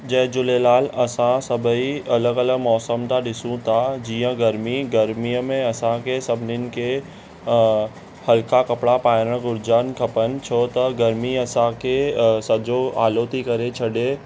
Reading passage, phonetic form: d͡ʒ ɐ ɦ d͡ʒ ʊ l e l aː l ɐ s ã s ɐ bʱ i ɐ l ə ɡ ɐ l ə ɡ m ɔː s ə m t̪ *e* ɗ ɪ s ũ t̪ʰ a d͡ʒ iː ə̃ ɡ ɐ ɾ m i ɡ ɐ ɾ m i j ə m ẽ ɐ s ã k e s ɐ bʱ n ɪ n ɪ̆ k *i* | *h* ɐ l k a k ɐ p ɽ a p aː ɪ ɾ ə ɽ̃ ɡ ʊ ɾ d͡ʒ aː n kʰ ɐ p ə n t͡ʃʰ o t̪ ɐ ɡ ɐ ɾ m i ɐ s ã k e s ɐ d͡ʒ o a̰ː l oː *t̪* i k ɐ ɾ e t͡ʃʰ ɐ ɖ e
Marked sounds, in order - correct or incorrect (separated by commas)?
incorrect, incorrect, correct, correct